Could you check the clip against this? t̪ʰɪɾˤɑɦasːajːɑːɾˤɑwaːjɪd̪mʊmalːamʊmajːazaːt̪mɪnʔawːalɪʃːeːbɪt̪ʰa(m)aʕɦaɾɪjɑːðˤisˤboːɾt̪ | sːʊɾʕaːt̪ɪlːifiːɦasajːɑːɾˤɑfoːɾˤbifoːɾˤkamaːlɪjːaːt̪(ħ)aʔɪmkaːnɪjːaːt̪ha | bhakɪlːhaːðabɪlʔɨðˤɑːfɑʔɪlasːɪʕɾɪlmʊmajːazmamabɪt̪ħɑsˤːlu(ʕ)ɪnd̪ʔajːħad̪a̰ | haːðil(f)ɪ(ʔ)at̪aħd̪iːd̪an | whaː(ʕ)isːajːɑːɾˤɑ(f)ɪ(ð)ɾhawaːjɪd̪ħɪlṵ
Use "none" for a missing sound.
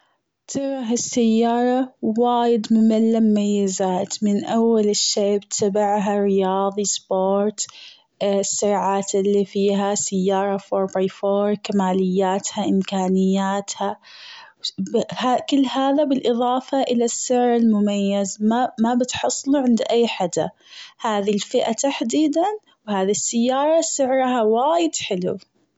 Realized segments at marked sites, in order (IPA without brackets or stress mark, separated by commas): b, h, ʕ, f, ʔ, ð, s, ʕ